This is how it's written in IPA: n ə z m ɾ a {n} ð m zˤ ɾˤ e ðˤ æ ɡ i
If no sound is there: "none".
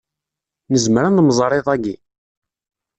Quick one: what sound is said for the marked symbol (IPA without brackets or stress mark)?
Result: n